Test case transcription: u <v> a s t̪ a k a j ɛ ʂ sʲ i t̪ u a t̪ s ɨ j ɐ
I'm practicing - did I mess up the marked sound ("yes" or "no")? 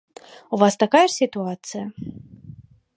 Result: no